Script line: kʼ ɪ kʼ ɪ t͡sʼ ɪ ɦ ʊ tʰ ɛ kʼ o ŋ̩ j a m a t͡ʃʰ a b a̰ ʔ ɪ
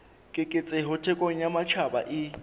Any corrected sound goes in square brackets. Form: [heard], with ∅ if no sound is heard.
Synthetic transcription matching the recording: kʼ ɪ kʼ ɪ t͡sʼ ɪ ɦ ʊ tʰ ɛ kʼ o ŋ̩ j a m a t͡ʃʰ a b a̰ ʔ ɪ